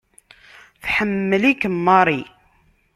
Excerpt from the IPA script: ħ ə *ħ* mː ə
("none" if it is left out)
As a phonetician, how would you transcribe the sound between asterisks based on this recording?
none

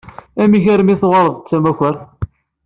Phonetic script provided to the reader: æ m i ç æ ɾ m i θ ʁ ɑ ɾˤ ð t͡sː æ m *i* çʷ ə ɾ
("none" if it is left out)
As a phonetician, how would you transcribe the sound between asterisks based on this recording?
æ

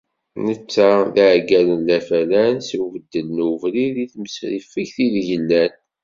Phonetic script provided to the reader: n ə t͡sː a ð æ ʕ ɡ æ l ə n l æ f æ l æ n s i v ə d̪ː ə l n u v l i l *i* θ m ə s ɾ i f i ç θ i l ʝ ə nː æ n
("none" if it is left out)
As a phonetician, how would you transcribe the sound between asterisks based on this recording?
i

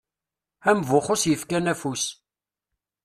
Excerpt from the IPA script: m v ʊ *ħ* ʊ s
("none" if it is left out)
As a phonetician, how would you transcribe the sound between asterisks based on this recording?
χ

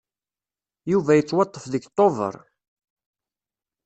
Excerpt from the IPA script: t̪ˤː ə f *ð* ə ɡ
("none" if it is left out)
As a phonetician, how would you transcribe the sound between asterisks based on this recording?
ð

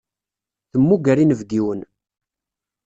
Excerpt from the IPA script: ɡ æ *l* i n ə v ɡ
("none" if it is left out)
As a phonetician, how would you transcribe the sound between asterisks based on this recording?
ɾ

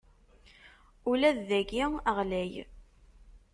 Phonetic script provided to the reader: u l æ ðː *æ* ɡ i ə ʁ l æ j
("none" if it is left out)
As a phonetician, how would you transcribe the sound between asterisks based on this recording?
æ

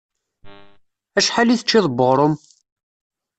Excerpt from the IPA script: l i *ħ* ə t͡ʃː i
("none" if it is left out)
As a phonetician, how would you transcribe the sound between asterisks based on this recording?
θ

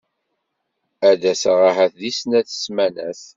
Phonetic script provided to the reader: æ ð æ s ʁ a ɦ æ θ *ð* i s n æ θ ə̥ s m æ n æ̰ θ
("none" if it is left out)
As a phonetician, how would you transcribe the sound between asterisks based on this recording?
ð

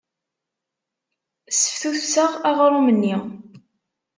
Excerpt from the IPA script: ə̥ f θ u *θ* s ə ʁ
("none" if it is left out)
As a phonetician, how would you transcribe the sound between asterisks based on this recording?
θ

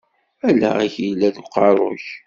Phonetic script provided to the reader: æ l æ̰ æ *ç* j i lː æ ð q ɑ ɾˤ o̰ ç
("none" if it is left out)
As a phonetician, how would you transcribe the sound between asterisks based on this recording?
ç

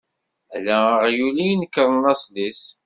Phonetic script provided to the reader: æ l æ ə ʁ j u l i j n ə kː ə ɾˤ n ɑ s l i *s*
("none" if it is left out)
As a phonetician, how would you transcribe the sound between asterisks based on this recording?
s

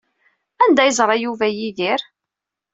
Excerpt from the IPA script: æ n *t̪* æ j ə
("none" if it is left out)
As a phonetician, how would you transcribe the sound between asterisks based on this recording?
d̪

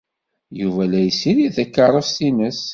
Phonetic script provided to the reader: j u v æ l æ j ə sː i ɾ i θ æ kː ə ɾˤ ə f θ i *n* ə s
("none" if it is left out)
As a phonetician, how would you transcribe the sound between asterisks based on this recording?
n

